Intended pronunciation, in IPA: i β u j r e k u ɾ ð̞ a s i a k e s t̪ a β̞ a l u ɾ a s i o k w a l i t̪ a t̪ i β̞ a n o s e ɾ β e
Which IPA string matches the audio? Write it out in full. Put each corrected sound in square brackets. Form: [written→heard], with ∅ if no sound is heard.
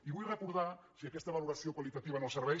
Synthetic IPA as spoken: i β u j r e k u ɾ ð̞ a s i a k e s t̪ a β̞ a l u ɾ a s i o k w a l i t̪ a t̪ i β̞ a n o s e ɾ β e